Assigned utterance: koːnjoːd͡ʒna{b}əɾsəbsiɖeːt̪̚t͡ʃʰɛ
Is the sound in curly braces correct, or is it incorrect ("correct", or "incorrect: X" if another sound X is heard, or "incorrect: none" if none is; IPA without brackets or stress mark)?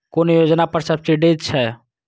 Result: incorrect: p